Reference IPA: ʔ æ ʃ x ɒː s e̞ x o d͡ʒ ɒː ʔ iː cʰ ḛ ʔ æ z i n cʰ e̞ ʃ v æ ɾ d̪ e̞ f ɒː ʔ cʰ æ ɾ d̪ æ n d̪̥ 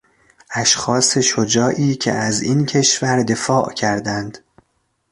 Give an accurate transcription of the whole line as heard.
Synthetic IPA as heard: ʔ æ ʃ x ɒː s e̞ ʃ o d͡ʒ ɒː ʔ iː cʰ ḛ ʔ æ z i n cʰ e̞ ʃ v æ ɾ d̪ e̞ f ɒː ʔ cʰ æ ɾ d̪ æ n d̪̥